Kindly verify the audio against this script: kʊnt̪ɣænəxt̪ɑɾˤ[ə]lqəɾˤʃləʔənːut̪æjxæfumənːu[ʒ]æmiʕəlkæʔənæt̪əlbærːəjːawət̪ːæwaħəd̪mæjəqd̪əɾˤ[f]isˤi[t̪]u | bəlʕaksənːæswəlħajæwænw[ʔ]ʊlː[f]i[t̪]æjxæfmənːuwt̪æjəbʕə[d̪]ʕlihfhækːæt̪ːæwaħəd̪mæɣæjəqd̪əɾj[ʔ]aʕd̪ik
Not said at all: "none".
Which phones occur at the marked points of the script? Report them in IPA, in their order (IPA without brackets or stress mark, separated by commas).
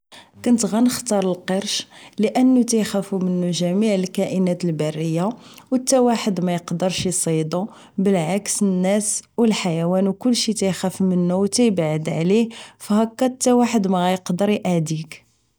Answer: ə, ʒ, ʃ, d̪, k, ʃ, t̪, d̪, ʔ